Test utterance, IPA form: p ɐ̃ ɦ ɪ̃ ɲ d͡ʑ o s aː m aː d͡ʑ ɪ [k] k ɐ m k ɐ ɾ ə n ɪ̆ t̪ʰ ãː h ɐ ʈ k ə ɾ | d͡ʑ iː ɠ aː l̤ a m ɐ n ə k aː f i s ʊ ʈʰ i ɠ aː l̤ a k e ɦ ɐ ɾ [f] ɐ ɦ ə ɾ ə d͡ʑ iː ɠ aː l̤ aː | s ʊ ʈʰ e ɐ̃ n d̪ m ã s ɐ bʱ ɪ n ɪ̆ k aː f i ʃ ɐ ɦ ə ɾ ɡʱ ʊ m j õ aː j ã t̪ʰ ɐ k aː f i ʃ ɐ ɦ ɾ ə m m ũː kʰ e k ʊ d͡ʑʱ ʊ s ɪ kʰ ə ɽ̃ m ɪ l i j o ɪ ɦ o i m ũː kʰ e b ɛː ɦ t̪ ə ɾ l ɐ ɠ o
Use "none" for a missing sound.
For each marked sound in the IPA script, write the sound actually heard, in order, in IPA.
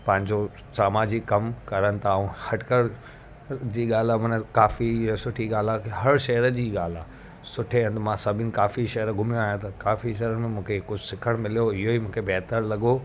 k, ʃ

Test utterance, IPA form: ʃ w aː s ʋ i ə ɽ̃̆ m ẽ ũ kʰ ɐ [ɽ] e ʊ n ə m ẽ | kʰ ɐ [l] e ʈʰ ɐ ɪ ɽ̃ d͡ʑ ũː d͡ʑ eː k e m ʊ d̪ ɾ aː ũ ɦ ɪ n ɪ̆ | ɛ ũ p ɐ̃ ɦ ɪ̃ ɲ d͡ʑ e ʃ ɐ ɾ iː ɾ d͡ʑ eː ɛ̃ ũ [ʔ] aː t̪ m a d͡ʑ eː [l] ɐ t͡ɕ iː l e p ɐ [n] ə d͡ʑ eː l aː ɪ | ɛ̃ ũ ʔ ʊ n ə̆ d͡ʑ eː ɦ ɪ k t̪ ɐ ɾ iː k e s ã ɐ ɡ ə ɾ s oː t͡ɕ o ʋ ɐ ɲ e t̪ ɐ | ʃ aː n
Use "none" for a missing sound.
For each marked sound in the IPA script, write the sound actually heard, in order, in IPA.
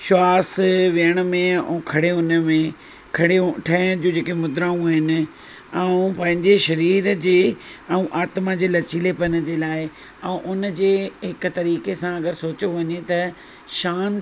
ɽ, ɽ, ʔ, l, n

